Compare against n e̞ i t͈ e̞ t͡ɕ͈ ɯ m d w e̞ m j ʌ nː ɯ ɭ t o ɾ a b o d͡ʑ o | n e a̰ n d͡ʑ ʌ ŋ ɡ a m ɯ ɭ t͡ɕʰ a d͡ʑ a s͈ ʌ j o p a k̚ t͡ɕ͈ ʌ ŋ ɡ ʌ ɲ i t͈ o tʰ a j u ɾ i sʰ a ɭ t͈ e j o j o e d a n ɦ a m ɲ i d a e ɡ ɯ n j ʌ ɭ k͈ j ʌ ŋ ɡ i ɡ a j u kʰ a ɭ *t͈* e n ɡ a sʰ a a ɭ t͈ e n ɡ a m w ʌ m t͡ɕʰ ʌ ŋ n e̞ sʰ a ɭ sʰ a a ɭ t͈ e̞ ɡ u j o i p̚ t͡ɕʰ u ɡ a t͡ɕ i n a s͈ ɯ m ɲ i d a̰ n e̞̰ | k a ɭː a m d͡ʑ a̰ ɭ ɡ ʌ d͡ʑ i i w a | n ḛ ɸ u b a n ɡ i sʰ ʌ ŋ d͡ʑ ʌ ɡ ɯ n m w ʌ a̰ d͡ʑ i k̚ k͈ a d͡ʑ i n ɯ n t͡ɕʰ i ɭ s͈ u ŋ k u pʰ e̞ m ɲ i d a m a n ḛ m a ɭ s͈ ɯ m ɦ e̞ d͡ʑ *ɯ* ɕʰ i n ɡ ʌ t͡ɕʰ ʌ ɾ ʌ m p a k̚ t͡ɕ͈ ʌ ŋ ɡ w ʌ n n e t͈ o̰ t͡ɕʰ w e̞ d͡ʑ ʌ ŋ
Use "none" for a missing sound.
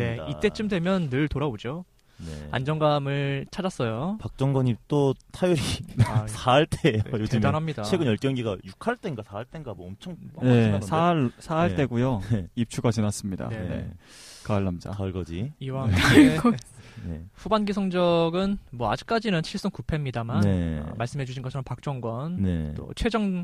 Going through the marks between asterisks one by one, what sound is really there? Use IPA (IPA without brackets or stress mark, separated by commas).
t͈, u